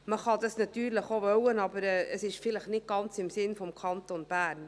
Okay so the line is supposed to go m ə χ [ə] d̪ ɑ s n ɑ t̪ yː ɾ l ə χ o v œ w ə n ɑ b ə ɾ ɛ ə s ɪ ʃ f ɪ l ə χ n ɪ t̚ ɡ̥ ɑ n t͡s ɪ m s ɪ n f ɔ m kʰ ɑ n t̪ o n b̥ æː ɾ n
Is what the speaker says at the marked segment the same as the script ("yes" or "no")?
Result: no